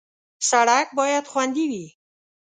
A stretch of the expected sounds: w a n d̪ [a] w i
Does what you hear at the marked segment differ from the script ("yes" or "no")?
yes